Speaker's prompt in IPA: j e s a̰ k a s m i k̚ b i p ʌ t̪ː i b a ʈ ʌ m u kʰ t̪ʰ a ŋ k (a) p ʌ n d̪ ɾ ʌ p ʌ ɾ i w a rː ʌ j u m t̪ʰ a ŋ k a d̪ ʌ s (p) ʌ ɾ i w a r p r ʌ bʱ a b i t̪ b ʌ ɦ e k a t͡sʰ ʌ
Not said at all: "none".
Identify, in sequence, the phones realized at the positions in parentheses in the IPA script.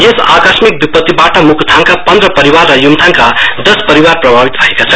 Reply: a, p

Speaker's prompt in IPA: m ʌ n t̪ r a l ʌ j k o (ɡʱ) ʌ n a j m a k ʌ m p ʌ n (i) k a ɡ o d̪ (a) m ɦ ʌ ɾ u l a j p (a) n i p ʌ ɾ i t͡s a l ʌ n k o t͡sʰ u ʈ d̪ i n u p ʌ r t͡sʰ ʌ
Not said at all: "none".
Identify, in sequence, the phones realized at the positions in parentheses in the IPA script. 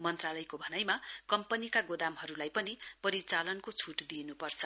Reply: bʱ, i, a, ʌ

